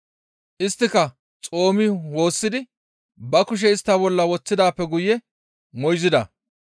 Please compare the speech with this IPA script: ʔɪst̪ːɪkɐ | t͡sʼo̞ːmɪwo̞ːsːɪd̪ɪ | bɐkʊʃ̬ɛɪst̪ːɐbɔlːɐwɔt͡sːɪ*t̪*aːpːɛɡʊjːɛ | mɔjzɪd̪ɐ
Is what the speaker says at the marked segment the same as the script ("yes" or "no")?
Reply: no